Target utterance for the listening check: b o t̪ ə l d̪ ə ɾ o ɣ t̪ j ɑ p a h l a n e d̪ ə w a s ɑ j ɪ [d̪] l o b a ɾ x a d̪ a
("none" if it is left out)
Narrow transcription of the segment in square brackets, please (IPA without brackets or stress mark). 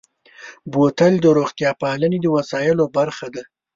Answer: none